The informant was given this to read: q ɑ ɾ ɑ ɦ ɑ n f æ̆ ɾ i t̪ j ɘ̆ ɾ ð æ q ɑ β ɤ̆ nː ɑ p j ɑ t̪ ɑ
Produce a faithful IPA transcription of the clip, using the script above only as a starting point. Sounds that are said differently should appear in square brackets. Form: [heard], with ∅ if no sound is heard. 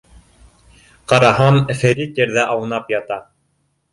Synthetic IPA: q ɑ ɾ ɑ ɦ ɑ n f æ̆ ɾ i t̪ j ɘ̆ ɾ ð æ [ʔ] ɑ [w] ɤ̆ [n] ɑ p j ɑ t̪ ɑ